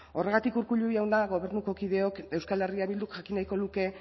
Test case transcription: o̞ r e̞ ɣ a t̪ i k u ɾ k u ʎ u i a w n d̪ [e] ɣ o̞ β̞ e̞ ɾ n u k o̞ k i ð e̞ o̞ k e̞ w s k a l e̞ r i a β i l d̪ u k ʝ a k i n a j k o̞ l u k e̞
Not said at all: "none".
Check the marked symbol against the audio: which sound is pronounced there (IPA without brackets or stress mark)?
a